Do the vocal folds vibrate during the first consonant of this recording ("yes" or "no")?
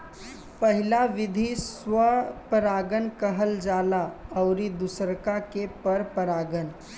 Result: no